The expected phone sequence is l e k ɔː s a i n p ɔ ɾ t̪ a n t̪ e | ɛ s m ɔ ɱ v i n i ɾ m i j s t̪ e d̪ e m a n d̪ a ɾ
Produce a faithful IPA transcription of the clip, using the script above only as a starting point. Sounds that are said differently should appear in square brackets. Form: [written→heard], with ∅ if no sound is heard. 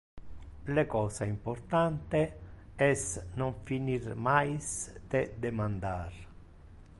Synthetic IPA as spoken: l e k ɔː s a i [n→m] p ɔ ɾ t̪ a n t̪ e | ɛ s [m→n] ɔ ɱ [v→f] i n i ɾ m [i→a] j s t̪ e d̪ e m a n d̪ a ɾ